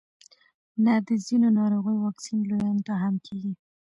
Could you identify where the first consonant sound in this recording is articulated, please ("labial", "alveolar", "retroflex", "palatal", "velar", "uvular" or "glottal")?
alveolar